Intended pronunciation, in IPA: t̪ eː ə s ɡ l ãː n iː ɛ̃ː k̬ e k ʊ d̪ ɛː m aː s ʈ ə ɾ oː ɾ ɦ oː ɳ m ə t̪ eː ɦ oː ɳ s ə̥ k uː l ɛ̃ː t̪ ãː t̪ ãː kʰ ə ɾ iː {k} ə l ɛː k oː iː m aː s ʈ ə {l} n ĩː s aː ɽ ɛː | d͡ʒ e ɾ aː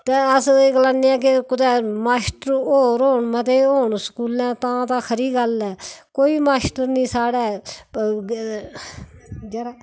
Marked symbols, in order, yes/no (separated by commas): no, no